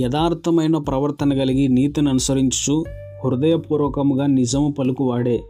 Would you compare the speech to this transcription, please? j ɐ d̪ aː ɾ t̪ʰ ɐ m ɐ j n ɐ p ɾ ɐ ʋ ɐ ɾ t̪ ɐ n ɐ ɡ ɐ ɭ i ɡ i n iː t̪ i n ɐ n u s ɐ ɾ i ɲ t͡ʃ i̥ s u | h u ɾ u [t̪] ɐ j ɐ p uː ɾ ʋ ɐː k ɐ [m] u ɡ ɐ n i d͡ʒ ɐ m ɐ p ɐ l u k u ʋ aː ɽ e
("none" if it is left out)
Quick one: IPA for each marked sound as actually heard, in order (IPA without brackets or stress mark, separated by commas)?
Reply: d̪, m